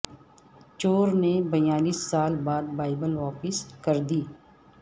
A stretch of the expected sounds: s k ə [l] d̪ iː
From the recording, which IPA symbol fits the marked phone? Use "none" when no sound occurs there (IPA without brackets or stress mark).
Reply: ɾ